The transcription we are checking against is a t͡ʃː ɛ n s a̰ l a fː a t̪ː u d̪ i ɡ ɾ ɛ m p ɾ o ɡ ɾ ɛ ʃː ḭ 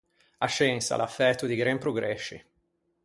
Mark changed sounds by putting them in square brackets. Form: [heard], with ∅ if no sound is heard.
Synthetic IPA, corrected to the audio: a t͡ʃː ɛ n s a̰ l a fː [ɛ] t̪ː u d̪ i ɡ ɾ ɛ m p ɾ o ɡ ɾ ɛ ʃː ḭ